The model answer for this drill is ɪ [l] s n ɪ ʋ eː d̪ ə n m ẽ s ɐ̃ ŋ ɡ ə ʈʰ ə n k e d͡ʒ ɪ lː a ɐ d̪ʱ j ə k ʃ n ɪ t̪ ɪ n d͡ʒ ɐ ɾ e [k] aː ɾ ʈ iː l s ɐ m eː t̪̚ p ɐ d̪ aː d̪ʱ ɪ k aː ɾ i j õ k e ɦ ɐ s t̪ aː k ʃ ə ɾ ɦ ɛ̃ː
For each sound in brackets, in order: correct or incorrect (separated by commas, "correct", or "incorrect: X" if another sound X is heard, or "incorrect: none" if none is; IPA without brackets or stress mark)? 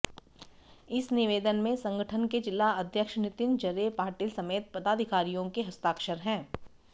incorrect: none, incorrect: p